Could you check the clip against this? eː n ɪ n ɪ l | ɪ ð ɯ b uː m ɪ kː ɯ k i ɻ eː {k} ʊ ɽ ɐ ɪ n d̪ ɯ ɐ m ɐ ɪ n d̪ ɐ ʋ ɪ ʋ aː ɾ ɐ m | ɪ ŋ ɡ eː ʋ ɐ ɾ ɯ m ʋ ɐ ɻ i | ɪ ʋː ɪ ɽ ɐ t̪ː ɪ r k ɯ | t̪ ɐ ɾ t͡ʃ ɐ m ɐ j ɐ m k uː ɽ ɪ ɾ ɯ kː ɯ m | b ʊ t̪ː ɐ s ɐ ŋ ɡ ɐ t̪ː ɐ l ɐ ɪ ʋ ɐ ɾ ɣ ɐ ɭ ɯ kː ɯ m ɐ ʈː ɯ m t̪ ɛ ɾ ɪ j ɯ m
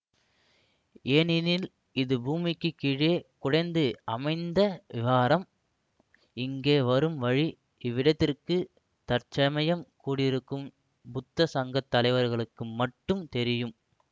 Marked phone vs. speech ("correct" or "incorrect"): correct